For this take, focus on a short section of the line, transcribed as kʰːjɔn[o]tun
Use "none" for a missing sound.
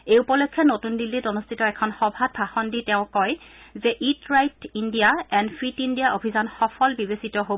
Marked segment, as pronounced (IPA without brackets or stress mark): o